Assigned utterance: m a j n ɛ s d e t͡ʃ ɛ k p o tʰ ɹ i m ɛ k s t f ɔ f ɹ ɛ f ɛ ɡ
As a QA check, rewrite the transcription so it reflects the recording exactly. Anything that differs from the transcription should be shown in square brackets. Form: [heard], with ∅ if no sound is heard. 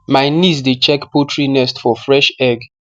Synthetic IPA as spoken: m a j n [i] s d e t͡ʃ ɛ k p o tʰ ɹ i [n] ɛ [∅] s t f ɔ f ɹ ɛ [ʃ] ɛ ɡ